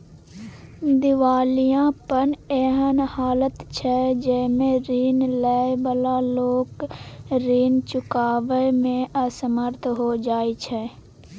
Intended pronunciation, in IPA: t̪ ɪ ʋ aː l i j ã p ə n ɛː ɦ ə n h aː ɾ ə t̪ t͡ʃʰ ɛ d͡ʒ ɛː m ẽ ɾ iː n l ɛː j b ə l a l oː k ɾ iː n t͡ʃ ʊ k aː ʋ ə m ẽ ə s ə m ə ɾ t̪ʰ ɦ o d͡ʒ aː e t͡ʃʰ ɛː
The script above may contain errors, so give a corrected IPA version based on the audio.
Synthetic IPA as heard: d̪ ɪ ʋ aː l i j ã p ə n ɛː ɦ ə n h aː l ə t̪ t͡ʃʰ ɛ d͡ʒ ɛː m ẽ ɾ iː n l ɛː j b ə l a l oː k ɾ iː n t͡ʃ ʊ k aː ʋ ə m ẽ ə s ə m ə ɾ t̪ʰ ɦ o d͡ʒ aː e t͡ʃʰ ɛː